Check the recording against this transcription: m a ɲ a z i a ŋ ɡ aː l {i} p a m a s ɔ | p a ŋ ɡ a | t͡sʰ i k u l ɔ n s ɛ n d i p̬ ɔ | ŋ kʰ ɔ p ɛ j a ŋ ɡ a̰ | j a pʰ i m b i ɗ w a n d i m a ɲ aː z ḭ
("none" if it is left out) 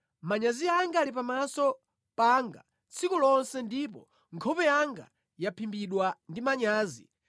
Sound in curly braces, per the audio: i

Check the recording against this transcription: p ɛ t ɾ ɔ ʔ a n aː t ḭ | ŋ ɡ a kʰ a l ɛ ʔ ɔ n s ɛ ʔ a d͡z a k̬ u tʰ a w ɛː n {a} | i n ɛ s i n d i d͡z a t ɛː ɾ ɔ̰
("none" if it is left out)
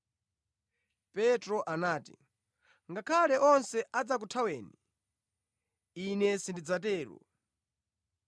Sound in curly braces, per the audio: i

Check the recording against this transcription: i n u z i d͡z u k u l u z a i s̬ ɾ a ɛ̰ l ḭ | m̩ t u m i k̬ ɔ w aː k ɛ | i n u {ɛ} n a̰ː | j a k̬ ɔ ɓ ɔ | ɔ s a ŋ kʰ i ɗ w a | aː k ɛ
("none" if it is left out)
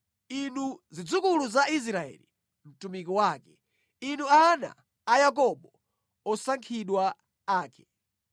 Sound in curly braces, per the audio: a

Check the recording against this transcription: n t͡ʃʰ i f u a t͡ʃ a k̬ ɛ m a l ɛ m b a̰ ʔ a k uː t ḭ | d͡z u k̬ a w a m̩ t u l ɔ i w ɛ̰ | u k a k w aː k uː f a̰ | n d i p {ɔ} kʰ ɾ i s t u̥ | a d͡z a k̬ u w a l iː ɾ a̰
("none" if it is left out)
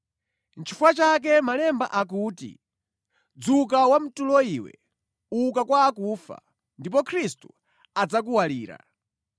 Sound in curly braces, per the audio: ɔ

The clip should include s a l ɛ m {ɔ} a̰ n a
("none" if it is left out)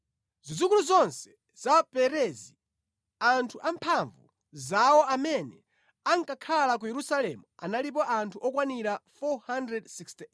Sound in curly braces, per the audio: u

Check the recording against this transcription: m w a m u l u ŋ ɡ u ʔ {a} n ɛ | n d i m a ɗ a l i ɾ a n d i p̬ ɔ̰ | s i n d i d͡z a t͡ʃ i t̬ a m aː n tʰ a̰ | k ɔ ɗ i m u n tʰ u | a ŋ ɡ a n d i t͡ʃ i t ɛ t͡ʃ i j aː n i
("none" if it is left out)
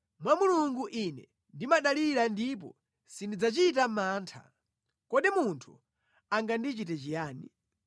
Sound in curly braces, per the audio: i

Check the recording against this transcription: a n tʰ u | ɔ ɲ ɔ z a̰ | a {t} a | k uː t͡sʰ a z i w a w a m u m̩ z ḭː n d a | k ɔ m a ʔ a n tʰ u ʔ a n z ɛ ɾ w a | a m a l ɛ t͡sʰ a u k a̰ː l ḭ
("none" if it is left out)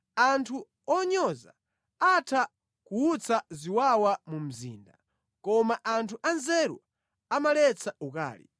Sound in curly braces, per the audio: tʰ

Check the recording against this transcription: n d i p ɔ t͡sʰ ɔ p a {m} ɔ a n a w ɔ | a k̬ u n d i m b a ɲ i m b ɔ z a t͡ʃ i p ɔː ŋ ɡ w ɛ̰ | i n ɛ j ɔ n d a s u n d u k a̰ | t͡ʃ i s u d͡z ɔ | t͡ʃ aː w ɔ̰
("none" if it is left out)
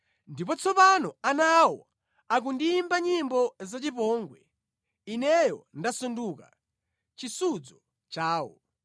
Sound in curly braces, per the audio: n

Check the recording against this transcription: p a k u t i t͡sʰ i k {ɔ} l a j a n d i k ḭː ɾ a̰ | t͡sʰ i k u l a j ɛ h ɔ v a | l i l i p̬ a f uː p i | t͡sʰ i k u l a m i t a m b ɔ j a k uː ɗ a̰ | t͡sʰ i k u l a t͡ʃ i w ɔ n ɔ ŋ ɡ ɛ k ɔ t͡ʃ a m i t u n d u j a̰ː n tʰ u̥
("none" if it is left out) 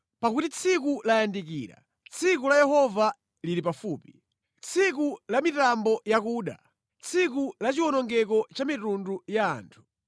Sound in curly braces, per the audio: u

